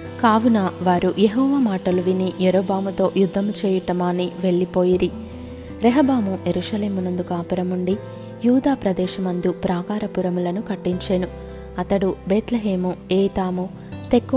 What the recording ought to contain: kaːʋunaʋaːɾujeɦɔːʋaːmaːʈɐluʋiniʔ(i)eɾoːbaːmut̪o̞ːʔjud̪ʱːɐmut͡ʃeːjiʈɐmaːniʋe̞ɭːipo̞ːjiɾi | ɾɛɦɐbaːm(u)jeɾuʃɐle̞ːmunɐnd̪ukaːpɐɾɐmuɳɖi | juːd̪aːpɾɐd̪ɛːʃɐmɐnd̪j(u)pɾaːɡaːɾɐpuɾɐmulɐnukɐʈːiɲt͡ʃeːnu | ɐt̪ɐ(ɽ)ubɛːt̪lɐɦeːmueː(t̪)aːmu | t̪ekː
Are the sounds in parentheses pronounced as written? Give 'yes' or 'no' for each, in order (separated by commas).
no, yes, yes, yes, yes